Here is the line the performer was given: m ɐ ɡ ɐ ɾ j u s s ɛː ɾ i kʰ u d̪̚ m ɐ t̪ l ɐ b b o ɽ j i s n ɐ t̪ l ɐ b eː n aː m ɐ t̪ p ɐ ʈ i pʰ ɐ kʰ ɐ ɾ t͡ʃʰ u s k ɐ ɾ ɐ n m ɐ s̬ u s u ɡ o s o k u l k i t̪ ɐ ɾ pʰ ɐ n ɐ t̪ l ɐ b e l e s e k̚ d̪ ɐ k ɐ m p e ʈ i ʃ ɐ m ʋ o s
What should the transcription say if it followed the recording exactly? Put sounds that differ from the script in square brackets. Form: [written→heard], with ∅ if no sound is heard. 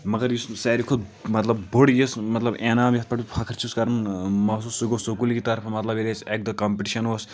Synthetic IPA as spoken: m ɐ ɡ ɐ ɾ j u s s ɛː ɾ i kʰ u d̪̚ m ɐ t̪ l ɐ b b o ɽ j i s [n→m] ɐ t̪ l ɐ b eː n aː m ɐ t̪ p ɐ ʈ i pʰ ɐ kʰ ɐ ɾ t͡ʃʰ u s k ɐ ɾ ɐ n m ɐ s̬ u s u ɡ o s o k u l k i t̪ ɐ ɾ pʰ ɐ [n→m] ɐ t̪ l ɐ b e l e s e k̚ d̪ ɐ k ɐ m p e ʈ i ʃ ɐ [m→n] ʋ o s

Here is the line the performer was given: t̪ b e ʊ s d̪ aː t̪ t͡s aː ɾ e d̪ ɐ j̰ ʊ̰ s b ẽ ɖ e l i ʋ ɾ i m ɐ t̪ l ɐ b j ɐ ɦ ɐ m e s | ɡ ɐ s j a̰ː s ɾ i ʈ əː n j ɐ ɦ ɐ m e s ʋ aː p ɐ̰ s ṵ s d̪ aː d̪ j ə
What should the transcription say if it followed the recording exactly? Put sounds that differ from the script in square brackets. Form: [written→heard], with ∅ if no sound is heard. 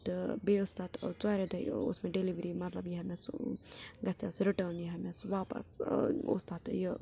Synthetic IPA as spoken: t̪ b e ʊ s [d̪→t̪] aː t̪ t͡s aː ɾ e d̪ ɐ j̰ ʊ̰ s [b→m] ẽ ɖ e l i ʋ ɾ i m ɐ t̪ l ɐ b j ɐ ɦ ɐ m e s | ɡ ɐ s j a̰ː s ɾ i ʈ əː n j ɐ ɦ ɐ m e s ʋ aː p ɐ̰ s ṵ s [d̪→t̪] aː [d̪→t̪] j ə

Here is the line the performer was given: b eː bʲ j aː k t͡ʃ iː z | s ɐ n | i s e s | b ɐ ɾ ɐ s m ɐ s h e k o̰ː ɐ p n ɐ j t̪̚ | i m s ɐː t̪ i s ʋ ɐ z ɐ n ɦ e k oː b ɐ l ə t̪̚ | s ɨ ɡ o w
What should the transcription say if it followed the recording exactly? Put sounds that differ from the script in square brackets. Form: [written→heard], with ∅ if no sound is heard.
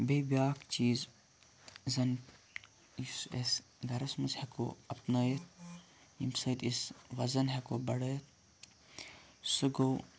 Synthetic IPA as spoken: b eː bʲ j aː k t͡ʃ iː z | [s→z] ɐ n | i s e s | [b→ɡ] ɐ ɾ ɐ s m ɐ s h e k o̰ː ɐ p n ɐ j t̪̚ | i m s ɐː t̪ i s ʋ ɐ z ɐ n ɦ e k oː b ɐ [l→ɽ] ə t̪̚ | s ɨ ɡ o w

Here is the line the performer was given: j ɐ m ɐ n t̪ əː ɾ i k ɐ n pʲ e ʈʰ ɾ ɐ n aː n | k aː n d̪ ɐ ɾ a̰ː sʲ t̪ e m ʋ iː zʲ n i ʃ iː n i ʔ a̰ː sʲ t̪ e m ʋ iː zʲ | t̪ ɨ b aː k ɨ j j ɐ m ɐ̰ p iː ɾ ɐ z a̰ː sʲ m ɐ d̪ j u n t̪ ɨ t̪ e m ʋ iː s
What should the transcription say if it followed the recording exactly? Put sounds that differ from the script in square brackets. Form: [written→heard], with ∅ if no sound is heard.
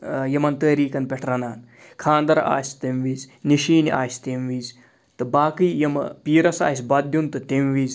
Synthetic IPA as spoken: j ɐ m ɐ n t̪ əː ɾ [i→iː] k ɐ n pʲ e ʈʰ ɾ ɐ n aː n | [k→kʰ] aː n d̪ ɐ ɾ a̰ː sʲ t̪ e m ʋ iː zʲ n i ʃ iː n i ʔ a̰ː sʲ t̪ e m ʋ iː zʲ | t̪ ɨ b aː k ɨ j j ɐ m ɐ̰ p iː ɾ ɐ [z→s] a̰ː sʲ [m→b] ɐ d̪ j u n t̪ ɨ t̪ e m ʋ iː [s→z]

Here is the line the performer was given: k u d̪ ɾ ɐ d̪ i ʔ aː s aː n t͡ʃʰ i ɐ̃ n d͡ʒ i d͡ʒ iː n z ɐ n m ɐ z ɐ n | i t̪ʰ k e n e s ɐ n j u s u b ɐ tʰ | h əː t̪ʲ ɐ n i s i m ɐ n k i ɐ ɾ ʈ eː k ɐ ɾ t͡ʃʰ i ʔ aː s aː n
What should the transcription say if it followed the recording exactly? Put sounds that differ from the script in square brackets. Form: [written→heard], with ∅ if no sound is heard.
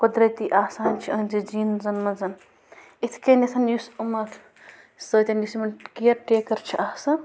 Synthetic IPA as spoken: k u d̪ ɾ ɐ [d̪→t̪] i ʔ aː s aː n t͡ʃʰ i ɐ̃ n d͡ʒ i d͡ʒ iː n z ɐ n m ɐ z ɐ n | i t̪ʰ k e n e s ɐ n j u s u [b→m] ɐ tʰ | [h→s] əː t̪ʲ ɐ n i s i m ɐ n k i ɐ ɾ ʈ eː k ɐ ɾ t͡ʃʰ i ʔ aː s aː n

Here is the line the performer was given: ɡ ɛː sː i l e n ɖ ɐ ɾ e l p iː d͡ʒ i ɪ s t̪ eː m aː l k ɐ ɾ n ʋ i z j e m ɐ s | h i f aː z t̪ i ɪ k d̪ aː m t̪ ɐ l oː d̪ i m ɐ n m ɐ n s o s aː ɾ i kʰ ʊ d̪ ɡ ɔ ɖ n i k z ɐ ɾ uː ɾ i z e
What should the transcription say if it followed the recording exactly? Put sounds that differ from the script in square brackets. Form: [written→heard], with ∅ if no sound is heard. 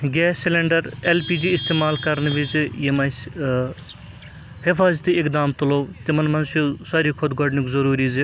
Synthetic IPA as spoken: ɡ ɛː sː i l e [n→ɳ] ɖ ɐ ɾ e l p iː d͡ʒ i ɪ s t̪ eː m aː l k ɐ ɾ n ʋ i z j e m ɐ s | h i f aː z t̪ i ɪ k d̪ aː m t̪ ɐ l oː [d̪→t̪] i m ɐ n m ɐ n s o s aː ɾ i kʰ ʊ d̪ ɡ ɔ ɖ n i k z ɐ ɾ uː ɾ i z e

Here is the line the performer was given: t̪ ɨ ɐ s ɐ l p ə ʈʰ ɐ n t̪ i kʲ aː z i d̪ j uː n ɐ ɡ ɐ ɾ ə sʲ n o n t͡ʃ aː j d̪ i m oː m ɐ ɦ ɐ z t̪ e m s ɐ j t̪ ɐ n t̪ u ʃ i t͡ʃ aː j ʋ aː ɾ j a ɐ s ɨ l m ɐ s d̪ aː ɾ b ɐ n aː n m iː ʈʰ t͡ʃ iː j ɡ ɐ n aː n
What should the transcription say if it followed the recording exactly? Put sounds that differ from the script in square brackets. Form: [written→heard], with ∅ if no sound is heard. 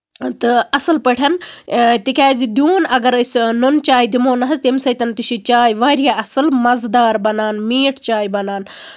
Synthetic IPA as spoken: t̪ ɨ ɐ s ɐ l p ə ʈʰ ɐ n t̪ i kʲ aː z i d̪ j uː n ɐ ɡ ɐ ɾ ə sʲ n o n t͡ʃ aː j d̪ i m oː [m→n] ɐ ɦ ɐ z t̪ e m s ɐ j t̪ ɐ n t̪ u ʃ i t͡ʃ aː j ʋ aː ɾ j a ɐ s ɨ l m ɐ [s→z] d̪ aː ɾ b ɐ n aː n m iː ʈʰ t͡ʃ [iː→aː] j [ɡ→b] ɐ n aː n

